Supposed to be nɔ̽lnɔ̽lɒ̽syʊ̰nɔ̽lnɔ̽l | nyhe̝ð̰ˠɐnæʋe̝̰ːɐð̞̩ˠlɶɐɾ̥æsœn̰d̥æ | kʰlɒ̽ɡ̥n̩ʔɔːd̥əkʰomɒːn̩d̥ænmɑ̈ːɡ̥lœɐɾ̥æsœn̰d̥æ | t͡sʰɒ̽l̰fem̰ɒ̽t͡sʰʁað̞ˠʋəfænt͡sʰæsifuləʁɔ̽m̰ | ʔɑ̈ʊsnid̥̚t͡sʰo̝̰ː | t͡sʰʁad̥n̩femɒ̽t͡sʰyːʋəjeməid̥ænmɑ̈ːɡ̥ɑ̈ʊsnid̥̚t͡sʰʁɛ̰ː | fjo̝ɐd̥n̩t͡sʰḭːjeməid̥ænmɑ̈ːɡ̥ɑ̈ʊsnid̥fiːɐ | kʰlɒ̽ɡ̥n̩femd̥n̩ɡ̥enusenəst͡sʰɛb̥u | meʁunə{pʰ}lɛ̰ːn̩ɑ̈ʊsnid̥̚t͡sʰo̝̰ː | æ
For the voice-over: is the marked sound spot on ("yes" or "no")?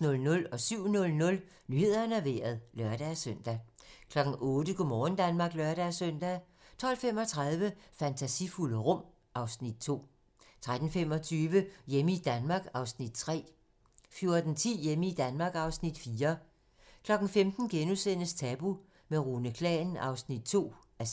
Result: no